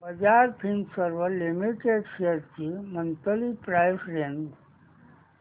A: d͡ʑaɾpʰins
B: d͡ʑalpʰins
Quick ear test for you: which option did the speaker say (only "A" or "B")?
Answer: A